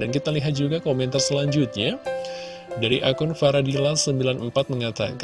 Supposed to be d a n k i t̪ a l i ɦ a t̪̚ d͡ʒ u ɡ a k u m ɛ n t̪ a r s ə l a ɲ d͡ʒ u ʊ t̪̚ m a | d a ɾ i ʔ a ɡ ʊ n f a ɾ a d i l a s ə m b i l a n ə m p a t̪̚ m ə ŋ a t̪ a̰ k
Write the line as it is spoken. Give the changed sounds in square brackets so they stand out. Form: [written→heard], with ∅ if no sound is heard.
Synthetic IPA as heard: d a n k i t̪ a l i ɦ a t̪̚ d͡ʒ u ɡ a k [u→o] m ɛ n t̪ a r s ə l a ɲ d͡ʒ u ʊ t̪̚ [m→ɲ] a | d a ɾ i ʔ a [ɡ→k] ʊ n f a ɾ a d i l a s ə m b i l a n ə m p a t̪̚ m ə ŋ a t̪ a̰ k